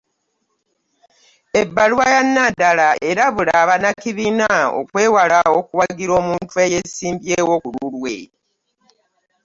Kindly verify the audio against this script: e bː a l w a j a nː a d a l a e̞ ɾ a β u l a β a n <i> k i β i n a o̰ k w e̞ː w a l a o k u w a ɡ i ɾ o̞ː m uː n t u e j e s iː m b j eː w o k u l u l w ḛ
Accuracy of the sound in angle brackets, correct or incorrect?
incorrect